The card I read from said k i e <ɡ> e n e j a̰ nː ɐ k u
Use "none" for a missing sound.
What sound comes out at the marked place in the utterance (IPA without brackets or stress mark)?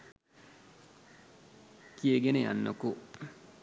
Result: ɡ